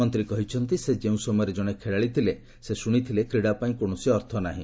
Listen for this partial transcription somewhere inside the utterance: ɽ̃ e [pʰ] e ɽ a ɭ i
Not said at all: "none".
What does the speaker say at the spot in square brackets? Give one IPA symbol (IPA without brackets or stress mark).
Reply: kʰ